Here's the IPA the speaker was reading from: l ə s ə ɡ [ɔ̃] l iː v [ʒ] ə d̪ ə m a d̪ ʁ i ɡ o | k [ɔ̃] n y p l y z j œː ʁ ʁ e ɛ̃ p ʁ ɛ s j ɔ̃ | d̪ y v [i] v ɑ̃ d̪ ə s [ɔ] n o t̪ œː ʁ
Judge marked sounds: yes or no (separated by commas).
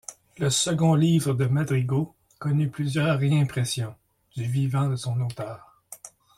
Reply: yes, no, no, yes, no